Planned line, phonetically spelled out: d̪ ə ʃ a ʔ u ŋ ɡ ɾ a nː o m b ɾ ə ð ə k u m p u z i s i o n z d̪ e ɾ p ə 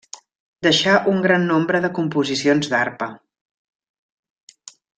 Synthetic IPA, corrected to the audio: d̪ ə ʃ a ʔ u ŋ ɡ ɾ a nː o m b ɾ ə ð ə k u m p u z i s i o n z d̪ a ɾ p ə